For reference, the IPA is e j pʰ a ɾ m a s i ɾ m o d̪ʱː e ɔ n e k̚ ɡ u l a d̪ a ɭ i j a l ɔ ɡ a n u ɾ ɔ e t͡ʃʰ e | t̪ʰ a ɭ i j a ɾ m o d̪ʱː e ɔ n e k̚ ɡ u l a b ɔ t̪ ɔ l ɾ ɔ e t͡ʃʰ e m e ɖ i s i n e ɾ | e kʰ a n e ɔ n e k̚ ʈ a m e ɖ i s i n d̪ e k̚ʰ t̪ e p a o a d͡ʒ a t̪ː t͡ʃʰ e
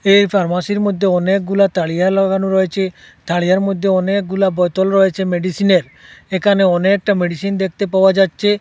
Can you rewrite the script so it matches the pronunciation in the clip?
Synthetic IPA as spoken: e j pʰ a ɾ m a s i ɾ m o d̪ʱː e ɔ n e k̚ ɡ u l a t̪ a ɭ i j a l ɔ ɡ a n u ɾ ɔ e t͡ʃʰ e | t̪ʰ a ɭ i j a ɾ m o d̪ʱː e ɔ n e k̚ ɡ u l a b ɔ t̪ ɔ l ɾ ɔ e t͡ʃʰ e m e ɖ i s i n e ɾ | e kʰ a n e ɔ n e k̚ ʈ a m e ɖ i s i n d̪ e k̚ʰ t̪ e p a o a d͡ʒ a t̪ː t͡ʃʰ e